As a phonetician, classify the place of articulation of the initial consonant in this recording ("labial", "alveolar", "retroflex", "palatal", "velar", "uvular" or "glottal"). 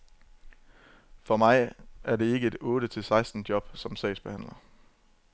labial